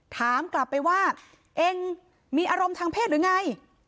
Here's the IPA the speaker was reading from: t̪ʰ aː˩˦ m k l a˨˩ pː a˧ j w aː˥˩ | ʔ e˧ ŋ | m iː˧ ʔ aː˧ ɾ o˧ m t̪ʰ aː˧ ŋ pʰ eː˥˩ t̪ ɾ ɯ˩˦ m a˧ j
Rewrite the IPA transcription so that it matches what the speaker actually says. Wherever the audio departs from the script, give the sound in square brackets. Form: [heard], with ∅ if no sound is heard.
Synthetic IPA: t̪ʰ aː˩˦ m k l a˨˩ pː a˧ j w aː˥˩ | ʔ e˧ ŋ | m iː˧ ʔ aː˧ ɾ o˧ m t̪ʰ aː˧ ŋ pʰ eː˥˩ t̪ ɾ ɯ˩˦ [ŋ] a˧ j